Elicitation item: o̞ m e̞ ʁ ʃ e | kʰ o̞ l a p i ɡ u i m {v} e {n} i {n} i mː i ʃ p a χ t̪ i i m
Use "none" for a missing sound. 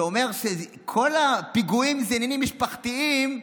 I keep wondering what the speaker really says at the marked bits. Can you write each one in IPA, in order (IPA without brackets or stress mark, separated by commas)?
z, n, n